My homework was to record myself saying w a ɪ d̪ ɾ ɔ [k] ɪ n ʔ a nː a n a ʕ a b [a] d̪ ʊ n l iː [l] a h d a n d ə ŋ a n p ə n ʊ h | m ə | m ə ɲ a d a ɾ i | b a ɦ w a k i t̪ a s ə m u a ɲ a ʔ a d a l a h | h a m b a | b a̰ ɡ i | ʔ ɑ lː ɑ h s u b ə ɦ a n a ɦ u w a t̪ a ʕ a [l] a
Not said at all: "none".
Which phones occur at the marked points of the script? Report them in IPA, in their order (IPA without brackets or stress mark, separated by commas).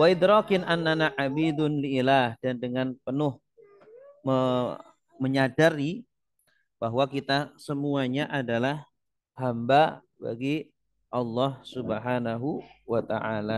k, i, l, l